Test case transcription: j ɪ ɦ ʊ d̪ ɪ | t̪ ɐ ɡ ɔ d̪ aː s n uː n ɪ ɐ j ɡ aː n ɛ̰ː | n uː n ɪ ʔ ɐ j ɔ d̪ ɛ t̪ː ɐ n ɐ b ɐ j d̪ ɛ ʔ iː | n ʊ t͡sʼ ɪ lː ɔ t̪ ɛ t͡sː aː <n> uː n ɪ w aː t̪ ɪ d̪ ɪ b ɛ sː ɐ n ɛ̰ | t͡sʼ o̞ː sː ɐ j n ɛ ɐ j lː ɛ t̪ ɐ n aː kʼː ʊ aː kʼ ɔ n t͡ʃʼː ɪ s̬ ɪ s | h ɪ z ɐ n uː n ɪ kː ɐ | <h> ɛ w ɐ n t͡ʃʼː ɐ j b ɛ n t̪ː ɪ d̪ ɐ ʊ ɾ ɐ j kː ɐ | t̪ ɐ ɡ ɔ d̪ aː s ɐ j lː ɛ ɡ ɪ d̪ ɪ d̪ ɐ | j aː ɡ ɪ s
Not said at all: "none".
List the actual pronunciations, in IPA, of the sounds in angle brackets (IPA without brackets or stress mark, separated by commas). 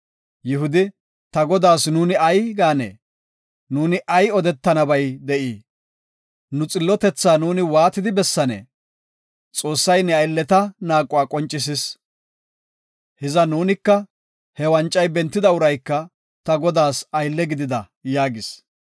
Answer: n, h